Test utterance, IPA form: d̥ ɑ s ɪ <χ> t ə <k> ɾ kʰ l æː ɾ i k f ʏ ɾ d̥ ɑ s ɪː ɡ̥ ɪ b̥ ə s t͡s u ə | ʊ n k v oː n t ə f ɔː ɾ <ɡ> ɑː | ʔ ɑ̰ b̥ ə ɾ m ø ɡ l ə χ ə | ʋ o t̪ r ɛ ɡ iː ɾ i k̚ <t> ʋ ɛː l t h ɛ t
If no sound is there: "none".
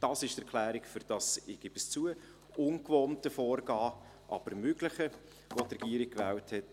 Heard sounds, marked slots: ʃ, none, ɡ, k

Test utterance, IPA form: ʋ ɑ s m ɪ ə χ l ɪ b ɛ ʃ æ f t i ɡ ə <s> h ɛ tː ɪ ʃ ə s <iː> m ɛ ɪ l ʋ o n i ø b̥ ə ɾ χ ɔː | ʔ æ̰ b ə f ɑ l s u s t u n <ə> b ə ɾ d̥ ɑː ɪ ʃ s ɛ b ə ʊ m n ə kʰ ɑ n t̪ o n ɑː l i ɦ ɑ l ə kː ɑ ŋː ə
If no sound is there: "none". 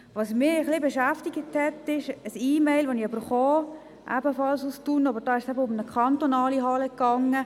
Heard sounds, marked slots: t, iː, ɑ

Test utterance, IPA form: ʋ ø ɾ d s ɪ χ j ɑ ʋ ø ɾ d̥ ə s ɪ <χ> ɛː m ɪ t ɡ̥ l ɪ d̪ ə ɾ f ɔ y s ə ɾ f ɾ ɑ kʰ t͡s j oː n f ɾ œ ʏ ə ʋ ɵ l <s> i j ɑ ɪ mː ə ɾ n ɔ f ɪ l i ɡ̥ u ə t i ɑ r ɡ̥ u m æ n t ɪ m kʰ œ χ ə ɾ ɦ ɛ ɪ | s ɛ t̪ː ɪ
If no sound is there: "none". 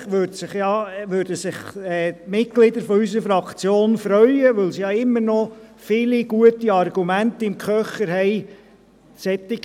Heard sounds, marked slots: χ, s

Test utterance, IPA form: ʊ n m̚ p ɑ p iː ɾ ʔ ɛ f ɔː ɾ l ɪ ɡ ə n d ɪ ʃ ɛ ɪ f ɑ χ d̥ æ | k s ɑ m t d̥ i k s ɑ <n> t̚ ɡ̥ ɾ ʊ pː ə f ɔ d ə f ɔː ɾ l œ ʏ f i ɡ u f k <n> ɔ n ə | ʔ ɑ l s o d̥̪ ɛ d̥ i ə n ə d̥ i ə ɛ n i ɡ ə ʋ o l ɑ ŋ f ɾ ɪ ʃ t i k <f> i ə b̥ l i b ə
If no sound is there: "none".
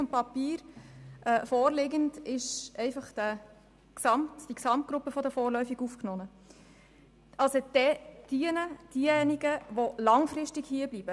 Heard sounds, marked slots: m, n, h

